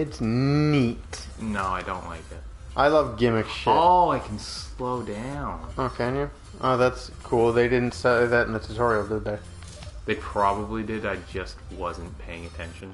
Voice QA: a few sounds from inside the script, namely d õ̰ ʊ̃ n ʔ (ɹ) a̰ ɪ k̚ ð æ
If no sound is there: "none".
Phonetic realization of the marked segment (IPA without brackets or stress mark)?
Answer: l